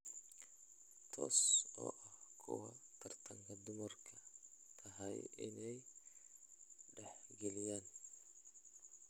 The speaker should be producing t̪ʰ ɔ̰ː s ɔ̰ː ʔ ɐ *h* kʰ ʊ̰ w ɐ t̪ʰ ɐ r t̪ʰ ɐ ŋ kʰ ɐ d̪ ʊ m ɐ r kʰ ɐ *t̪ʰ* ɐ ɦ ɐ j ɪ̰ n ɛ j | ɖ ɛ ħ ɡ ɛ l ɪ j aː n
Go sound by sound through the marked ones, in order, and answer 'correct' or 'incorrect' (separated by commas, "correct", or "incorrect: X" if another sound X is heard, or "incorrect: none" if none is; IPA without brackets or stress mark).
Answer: correct, correct